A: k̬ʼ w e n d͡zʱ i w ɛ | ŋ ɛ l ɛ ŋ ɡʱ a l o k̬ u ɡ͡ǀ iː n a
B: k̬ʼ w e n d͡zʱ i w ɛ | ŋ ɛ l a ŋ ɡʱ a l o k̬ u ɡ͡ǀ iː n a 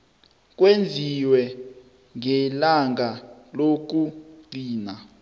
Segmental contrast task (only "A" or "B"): B